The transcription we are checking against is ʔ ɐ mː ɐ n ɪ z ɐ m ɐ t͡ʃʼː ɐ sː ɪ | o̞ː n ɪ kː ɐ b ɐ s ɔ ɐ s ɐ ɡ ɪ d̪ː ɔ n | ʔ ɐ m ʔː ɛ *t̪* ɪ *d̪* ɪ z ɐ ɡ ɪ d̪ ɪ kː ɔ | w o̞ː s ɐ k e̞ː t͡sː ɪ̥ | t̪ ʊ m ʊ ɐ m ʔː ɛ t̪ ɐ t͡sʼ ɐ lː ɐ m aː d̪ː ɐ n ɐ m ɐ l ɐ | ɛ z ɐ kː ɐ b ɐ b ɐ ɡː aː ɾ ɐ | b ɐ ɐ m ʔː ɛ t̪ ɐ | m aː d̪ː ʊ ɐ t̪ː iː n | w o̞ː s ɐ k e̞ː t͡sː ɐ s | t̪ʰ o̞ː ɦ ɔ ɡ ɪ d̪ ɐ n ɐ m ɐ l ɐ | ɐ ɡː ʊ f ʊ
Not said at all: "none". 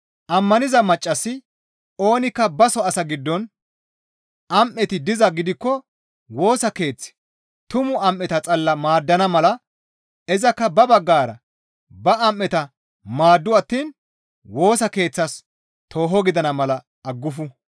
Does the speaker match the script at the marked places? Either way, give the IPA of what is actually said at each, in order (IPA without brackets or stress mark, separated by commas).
t̪, d̪